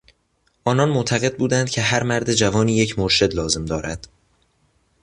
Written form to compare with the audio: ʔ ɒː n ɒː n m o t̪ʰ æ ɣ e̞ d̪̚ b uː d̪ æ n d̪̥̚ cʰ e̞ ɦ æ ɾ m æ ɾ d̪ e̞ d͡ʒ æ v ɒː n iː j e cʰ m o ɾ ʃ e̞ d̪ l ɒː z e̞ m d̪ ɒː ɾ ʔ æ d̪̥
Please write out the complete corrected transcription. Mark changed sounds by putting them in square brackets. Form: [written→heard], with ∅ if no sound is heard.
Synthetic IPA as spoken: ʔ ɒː n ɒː n m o t̪ʰ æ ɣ e̞ d̪̚ b uː d̪ æ n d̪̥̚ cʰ e̞ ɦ æ ɾ m æ ɾ d̪ e̞ d͡ʒ æ v ɒː n iː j e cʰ m o ɾ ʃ e̞ d̪ l ɒː z e̞ m d̪ ɒː ɾ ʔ æ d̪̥